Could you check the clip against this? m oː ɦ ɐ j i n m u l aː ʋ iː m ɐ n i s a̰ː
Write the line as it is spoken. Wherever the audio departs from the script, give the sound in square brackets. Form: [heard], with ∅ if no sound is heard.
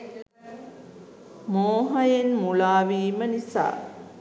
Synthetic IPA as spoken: m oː ɦ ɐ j [e] n m u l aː ʋ iː m [ə] n i s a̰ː

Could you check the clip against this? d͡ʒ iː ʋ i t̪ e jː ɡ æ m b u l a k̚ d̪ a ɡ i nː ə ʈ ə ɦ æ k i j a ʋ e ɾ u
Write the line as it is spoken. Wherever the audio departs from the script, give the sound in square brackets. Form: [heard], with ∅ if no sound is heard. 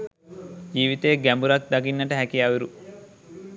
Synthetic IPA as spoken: d͡ʒ iː ʋ i t̪ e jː ɡ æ m b u [ɾ] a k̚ d̪ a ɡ i nː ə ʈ ə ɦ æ k i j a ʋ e ɾ u

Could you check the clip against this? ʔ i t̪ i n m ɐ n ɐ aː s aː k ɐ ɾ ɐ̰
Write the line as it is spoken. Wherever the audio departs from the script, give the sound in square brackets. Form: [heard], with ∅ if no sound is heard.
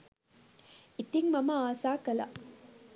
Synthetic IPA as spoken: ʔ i t̪ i [ŋ] m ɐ [m] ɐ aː s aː k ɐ [l] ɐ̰

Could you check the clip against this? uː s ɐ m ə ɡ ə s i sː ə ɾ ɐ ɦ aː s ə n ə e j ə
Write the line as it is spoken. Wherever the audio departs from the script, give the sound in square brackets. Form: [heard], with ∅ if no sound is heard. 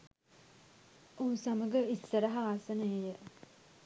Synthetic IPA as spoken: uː s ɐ m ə ɡ ə [∅] i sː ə ɾ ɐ ɦ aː s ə n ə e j ə

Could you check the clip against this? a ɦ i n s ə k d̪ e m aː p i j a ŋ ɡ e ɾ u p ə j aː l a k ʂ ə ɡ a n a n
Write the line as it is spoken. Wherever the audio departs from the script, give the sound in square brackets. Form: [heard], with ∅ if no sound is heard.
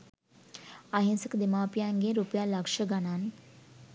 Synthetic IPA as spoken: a ɦ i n s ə k d̪ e m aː p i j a ŋ ɡ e ɾ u p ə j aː l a k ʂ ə ɡ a n a n

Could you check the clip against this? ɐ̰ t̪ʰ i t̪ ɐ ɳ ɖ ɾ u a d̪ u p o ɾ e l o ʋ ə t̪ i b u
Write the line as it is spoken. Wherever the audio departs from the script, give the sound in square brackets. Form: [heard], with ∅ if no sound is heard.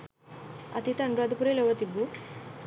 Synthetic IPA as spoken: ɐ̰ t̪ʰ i t̪ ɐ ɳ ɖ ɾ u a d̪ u p [u] ɾ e l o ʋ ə t̪ i b u

